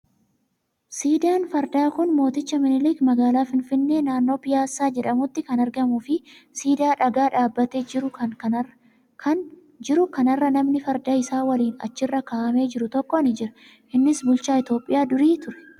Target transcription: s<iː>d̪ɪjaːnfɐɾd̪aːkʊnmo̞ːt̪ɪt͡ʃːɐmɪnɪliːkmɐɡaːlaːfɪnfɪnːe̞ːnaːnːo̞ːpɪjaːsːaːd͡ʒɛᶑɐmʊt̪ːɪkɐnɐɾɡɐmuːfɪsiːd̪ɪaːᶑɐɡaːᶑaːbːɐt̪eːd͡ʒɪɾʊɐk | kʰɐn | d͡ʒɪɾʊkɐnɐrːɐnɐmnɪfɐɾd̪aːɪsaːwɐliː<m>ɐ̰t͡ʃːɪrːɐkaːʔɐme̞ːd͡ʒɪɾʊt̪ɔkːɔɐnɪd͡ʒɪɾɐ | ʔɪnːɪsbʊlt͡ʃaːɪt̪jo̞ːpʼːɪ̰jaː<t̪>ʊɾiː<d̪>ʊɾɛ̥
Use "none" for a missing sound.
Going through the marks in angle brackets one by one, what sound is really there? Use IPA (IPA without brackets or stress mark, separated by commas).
iː, n, d̪, t̪